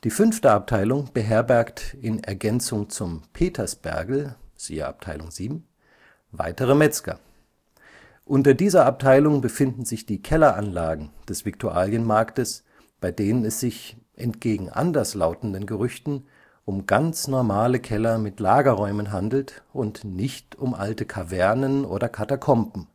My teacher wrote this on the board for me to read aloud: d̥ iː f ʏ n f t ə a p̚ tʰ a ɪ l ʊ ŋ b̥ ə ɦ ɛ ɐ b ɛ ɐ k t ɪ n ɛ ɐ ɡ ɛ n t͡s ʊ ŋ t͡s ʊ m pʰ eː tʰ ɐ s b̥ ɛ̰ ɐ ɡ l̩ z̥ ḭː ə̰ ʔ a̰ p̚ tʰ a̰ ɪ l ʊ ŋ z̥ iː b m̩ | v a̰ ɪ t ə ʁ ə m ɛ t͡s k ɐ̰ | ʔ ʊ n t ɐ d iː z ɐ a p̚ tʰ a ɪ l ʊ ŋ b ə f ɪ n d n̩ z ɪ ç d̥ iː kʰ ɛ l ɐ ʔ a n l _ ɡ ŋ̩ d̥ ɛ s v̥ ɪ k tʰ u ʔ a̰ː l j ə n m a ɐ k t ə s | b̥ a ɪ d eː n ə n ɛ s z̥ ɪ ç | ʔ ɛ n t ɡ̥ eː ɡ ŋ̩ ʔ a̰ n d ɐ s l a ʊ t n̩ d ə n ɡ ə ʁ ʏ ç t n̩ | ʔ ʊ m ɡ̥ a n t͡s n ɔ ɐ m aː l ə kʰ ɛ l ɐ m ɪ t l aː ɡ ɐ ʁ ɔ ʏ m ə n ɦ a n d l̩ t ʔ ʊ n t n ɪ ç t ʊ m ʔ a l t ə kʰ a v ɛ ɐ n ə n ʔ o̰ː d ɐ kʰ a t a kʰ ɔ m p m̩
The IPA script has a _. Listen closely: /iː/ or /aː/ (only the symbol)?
aː